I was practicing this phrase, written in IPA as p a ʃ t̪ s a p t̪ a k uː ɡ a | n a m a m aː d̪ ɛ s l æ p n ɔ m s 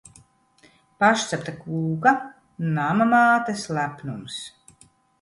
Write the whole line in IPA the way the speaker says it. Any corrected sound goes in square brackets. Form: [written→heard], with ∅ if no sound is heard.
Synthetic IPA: p a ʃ t̪ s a p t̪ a k uː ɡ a | n a m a m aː [d̪→t̪] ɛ s l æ p n [ɔ→u] m s